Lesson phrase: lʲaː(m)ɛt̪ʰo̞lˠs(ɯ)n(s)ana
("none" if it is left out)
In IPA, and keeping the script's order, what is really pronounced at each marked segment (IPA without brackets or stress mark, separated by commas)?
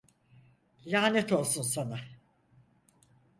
n, u, s